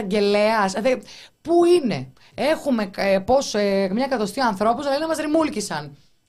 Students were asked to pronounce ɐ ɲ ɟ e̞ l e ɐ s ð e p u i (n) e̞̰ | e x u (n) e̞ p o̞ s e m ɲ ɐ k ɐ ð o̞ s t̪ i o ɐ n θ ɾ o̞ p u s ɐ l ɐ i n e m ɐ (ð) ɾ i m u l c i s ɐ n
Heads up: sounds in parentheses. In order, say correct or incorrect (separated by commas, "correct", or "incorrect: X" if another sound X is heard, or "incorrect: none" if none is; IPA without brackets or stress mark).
correct, incorrect: m, incorrect: z